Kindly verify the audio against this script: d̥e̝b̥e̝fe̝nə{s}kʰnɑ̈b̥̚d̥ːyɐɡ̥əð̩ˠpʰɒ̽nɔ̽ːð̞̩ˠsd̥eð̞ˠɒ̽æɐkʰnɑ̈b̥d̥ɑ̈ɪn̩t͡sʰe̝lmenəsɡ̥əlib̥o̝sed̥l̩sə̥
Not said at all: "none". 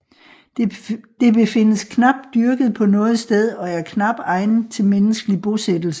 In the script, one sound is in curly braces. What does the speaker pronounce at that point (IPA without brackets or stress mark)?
s